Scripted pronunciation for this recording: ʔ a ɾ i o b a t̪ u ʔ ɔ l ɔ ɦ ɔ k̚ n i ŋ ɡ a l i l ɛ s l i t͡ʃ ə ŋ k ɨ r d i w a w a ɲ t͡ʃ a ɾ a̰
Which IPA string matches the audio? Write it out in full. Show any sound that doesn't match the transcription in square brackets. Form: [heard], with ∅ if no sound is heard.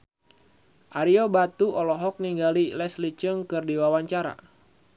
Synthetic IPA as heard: ʔ a ɾ i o b a t̪ u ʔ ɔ l ɔ ɦ ɔ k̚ n i ŋ ɡ a l i l ɛ s l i t͡ʃ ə ŋ k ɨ r d i w a w a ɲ t͡ʃ a ɾ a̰